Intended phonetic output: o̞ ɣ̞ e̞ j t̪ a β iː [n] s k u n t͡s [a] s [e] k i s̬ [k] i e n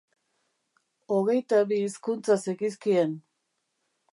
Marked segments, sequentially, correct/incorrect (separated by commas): incorrect, correct, correct, correct